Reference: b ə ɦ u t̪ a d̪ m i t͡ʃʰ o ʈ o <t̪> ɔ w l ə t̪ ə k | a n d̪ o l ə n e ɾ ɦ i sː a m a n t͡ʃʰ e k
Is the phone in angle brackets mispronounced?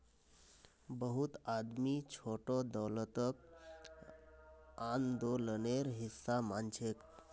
yes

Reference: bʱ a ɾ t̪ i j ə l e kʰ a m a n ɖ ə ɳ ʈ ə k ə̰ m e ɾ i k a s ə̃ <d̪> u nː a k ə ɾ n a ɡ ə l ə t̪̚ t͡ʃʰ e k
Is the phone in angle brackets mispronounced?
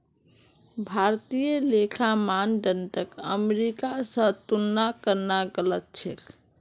yes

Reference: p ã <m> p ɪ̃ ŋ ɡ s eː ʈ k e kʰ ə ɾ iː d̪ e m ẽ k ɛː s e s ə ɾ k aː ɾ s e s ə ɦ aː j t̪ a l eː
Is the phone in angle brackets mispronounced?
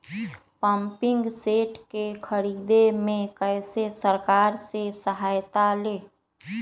no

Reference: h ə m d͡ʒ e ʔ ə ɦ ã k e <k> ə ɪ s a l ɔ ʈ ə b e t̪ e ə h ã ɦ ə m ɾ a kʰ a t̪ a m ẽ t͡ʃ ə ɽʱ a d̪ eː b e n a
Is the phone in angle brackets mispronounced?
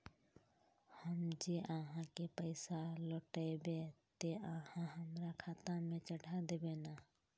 yes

